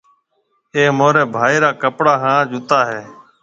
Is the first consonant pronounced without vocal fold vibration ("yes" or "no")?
no